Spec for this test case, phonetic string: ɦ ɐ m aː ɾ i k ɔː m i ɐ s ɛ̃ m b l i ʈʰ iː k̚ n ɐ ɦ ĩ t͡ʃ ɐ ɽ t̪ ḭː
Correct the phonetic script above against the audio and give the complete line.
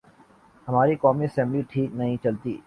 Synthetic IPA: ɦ ɐ m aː ɾ i k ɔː m i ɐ s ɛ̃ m b l i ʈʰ iː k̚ n ɐ ɦ ĩ t͡ʃ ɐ l t̪ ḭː

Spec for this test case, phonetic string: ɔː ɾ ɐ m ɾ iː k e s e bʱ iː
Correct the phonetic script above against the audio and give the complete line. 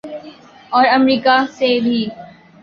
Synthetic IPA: ɔː ɾ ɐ m ɾ iː k a s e bʱ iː

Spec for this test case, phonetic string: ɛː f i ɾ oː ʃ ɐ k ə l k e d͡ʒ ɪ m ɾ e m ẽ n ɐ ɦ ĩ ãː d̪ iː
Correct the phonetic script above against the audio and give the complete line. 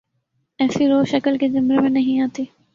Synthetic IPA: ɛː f i ɾ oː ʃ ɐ k ə l k e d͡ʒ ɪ m ɾ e m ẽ n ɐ ɦ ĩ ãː t̪ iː

